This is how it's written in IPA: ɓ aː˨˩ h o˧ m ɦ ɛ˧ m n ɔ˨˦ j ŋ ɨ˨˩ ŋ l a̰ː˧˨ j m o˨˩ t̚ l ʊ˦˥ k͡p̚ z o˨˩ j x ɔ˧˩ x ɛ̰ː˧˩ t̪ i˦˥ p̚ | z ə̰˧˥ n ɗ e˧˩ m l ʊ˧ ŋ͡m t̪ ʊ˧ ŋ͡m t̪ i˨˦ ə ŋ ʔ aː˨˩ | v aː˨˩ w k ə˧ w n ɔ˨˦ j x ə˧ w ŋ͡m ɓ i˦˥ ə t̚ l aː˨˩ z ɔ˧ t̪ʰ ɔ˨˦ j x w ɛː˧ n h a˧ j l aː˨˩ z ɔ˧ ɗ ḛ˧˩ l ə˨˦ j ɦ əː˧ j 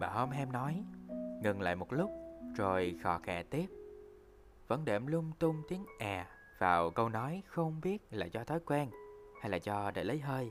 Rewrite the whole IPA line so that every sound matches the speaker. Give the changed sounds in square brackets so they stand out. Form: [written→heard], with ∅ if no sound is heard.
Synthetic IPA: ɓ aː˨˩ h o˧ m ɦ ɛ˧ m n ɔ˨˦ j ŋ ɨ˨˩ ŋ l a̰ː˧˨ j m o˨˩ t̚ l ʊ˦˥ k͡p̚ z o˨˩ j x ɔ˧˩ x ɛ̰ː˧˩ t̪ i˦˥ p̚ | [z→v] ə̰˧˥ n ɗ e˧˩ m l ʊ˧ ŋ͡m t̪ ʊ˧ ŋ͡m t̪ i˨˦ ə ŋ ʔ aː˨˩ | v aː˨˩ w k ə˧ w n ɔ˨˦ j x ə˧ w ŋ͡m ɓ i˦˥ ə t̚ l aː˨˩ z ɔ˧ t̪ʰ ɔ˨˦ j [x→k] w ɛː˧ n h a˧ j l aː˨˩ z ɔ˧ ɗ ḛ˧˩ l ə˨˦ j ɦ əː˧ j